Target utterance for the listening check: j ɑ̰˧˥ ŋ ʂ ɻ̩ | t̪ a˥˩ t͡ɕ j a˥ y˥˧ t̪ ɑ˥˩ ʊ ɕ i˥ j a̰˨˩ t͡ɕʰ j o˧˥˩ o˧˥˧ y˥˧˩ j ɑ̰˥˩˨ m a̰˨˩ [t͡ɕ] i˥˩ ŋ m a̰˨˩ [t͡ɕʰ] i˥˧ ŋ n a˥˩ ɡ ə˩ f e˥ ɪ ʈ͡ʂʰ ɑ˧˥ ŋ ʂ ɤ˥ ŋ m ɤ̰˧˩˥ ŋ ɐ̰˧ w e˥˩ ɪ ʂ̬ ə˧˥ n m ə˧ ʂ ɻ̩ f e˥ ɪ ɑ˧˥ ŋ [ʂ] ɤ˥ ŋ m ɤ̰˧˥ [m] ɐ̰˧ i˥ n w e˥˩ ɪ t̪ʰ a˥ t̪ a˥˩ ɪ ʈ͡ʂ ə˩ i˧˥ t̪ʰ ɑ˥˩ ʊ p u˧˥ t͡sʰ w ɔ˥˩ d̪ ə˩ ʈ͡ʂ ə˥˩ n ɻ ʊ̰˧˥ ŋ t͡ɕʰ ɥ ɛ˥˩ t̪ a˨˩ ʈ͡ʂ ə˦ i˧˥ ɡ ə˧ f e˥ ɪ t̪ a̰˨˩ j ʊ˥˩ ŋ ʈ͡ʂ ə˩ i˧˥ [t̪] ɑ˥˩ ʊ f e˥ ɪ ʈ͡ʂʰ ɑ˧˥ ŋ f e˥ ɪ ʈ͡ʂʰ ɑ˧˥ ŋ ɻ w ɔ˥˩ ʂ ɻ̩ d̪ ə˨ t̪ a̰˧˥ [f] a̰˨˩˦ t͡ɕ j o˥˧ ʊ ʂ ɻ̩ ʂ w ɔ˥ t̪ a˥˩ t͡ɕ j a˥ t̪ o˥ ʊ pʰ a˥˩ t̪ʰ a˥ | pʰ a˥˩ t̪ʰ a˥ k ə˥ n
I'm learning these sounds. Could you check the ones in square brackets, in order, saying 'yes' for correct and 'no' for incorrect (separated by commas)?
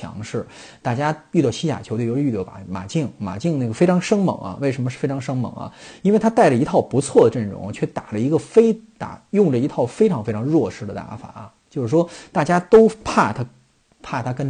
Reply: yes, no, yes, no, no, yes